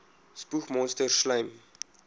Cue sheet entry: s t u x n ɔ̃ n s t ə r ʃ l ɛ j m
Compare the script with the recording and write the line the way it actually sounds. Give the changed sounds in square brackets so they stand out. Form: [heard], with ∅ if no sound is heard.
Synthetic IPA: s [p] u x [m] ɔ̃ n s t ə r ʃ l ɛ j m